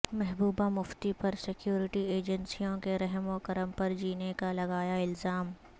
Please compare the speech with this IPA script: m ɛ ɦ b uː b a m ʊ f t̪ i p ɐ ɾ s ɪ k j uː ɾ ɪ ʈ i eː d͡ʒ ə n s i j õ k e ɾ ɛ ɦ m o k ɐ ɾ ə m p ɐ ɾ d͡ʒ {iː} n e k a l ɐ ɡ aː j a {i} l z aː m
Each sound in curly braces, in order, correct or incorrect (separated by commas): correct, incorrect